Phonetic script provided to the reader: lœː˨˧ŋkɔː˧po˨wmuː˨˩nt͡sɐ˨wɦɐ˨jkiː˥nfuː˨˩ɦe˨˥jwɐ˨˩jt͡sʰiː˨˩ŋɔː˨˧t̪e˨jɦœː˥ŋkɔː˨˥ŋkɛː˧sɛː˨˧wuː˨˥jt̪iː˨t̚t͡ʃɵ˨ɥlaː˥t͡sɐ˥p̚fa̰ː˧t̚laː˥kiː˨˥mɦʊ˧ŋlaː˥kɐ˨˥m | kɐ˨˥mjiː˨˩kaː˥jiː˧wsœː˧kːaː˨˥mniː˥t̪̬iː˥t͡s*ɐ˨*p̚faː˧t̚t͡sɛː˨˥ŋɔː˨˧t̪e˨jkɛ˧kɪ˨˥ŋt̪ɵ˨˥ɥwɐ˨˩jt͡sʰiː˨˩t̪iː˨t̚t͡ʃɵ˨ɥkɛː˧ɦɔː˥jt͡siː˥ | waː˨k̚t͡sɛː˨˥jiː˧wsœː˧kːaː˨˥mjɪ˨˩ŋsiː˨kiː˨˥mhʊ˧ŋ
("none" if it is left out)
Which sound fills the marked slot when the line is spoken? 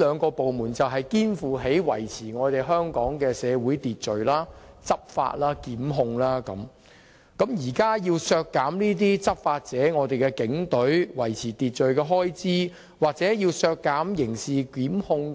ɐ˥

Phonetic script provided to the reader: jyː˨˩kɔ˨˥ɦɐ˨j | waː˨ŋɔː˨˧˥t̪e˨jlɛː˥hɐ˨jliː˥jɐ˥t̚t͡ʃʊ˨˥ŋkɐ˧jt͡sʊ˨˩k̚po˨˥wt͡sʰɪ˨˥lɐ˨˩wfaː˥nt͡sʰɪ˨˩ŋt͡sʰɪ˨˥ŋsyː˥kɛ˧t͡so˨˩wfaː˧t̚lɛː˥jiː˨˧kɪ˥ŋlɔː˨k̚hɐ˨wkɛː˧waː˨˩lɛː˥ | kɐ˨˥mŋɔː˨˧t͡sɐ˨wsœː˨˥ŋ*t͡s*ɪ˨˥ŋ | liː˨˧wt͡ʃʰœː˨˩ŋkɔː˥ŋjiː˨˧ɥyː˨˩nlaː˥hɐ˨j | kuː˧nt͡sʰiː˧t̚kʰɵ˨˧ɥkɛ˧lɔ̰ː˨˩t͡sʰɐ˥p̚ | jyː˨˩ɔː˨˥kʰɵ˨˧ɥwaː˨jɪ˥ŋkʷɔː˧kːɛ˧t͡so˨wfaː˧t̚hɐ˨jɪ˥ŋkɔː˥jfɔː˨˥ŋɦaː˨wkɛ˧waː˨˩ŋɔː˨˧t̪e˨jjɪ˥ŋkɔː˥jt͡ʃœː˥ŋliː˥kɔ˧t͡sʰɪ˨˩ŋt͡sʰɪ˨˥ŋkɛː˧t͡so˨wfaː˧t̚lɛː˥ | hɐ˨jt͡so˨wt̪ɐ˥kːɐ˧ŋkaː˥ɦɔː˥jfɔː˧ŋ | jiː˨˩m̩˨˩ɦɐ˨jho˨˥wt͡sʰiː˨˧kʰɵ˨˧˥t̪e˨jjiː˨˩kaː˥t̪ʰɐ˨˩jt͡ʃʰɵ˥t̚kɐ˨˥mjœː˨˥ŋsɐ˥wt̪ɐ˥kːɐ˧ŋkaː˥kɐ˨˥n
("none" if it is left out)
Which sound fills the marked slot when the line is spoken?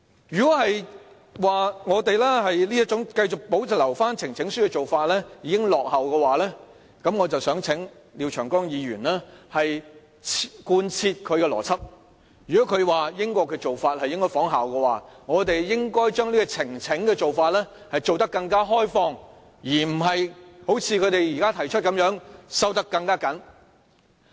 t͡sʰ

